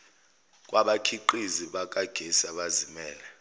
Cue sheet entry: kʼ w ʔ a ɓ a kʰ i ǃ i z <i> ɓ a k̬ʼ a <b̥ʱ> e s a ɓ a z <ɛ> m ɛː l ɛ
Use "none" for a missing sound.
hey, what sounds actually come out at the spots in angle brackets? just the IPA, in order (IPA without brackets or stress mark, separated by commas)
i, ɡ̥ʱ, i